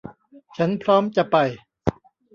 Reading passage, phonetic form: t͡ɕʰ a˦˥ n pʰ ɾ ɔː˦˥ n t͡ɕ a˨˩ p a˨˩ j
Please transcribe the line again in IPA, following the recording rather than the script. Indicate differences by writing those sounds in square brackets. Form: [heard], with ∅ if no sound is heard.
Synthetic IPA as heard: t͡ɕʰ a˦˥ n pʰ ɾ ɔː˦˥ [m] t͡ɕ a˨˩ p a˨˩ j